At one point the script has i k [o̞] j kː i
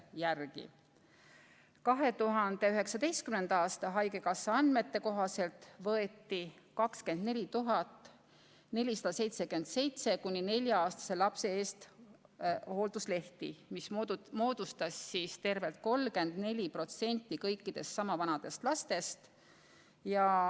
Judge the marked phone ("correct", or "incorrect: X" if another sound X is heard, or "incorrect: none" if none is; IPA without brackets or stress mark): incorrect: ɤ̞